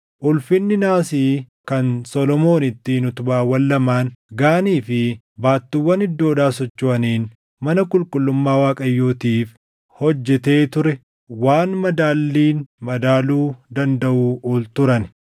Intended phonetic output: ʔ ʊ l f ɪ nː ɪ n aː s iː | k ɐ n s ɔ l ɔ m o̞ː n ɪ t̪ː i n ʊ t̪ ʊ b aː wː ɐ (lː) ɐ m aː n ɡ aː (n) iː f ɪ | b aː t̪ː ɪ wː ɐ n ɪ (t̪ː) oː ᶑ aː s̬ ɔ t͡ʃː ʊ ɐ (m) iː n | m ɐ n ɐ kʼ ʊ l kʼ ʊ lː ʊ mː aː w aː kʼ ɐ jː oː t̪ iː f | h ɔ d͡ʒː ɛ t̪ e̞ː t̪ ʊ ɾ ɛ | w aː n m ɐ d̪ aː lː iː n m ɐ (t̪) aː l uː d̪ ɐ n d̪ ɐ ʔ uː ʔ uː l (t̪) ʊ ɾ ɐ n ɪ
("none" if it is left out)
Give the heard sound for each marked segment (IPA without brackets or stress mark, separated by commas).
lː, n, d̪ː, n, d̪, t̪